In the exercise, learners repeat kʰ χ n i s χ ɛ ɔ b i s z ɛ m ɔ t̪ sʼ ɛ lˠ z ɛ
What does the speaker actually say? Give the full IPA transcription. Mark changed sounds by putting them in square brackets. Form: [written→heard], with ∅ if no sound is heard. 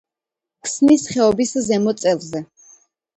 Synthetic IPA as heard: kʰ [χ→s] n i s χ ɛ ɔ b i s z ɛ m ɔ t̪ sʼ ɛ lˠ z ɛ